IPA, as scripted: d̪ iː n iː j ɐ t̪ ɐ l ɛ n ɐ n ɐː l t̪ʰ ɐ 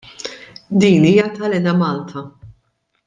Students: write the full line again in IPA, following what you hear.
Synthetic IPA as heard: d̪ iː n iː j ɐ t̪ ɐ l ɛ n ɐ m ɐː l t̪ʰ ɐ